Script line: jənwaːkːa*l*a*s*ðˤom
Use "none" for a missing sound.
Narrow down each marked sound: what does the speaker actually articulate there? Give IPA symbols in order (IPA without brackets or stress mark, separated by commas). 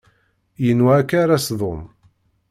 ɾ, s